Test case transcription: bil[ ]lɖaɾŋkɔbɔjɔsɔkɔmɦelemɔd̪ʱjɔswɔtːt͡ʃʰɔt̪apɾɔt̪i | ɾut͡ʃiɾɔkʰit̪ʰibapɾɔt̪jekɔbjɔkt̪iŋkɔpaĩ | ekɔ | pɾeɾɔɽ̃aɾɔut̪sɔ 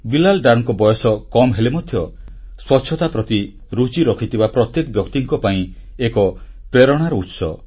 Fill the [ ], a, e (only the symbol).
a